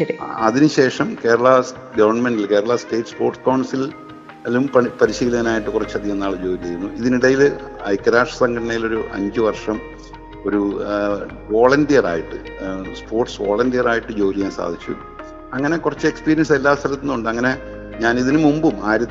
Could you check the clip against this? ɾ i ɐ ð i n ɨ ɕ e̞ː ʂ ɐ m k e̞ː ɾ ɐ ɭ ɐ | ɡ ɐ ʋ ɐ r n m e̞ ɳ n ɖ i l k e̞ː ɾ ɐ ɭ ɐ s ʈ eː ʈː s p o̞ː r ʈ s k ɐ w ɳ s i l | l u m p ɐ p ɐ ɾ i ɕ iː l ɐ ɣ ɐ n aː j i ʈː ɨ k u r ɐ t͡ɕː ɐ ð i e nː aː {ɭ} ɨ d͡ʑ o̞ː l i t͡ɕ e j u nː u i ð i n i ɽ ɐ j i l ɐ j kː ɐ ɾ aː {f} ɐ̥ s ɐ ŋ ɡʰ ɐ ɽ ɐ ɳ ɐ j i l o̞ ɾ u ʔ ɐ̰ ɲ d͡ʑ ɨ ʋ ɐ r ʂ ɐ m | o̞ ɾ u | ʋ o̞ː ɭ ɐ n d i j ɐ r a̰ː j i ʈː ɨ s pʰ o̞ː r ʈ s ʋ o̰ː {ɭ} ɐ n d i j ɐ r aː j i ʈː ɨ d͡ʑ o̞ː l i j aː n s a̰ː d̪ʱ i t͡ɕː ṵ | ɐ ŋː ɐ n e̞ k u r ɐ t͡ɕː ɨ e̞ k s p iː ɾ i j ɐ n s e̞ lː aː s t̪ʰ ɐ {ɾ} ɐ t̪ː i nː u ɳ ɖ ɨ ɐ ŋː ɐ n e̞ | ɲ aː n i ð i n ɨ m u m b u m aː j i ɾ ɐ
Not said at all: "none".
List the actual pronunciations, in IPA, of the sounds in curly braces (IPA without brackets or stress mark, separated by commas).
ɭ, ʂ, ɭ, l